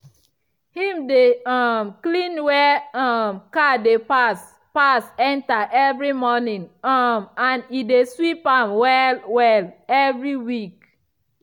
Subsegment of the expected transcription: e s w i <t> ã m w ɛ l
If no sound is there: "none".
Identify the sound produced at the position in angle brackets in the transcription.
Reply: p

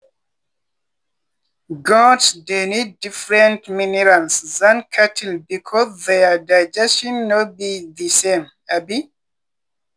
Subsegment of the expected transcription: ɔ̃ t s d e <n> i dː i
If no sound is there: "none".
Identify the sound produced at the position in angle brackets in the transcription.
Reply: n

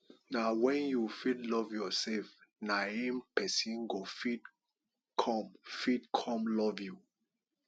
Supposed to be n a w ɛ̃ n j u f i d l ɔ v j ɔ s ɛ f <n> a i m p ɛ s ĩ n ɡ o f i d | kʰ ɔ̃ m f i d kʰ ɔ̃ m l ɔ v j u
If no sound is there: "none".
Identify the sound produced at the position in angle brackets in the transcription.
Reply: n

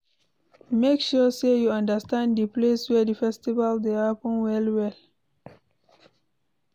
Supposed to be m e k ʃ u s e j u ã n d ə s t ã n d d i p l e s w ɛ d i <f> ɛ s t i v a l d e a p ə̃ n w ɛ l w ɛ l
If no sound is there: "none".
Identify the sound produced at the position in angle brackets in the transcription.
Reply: f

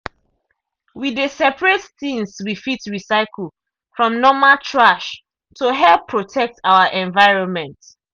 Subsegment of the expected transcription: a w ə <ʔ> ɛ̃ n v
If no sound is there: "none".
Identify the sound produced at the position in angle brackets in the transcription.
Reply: ʔ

